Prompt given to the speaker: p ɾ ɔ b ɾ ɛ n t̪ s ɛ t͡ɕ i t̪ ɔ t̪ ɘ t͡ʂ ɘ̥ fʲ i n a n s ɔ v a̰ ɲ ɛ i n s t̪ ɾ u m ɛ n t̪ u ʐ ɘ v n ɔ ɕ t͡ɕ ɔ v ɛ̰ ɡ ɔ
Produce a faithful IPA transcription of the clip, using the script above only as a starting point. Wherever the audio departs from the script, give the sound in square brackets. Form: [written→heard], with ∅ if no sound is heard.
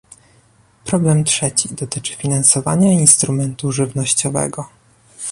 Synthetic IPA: p ɾ ɔ b [ɾ→l] ɛ [n→m] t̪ [s→ʂ] ɛ t͡ɕ i [t̪→d̪] ɔ t̪ ɘ t͡ʂ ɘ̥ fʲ i n a n s ɔ v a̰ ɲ [ɛ→a] i n s t̪ ɾ u m ɛ n t̪ u ʐ ɘ v n ɔ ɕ t͡ɕ ɔ v ɛ̰ ɡ ɔ